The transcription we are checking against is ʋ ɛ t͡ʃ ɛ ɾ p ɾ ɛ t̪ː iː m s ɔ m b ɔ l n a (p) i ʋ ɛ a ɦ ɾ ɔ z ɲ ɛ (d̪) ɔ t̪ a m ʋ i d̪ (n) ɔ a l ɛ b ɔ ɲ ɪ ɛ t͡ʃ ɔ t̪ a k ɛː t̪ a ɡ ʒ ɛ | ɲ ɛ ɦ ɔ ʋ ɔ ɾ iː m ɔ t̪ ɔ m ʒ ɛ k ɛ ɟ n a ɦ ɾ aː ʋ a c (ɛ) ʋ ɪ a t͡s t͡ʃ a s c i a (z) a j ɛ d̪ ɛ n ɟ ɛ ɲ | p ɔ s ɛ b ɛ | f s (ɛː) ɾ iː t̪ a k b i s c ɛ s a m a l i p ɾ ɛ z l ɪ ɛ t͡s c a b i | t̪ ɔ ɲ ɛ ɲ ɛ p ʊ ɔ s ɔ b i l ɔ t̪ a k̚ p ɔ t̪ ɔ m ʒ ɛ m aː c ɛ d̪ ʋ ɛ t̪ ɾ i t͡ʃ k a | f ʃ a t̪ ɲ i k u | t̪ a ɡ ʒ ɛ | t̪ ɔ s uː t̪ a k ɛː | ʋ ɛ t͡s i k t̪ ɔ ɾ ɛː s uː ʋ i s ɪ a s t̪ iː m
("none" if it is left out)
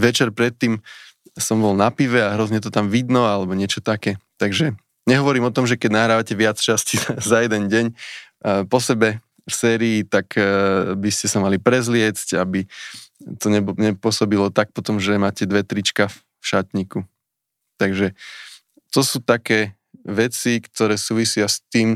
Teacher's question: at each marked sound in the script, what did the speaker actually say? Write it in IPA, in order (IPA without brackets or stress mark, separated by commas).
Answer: p, t̪, n, ɛ, z, ɛː